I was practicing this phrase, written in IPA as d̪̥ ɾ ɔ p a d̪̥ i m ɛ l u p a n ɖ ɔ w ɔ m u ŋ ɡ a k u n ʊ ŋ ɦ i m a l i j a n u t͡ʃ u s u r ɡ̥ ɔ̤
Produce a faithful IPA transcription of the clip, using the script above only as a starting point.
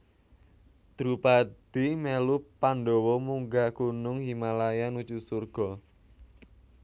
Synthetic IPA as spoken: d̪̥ ɾ u p a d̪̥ i m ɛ l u p a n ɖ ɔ w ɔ m u ŋ ɡ a k u n ʊ ŋ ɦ i m a l a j a n u t͡ʃ u s u r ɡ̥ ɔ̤